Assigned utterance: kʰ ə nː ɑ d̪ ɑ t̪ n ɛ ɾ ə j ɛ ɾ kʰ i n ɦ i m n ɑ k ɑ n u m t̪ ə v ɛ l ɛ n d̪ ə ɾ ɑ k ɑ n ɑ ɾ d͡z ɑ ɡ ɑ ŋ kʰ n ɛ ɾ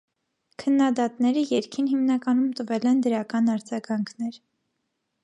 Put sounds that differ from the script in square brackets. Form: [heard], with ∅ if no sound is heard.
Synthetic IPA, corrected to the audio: kʰ ə nː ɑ d̪ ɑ t̪ n ɛ ɾ ə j ɛ ɾ kʰ i n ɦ i m n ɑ k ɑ n u m t̪ ə v ɛ l ɛ n d̪ ə ɾ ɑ k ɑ n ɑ ɾ d͡z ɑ ɡ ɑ ŋ kʰ n ɛ ɾ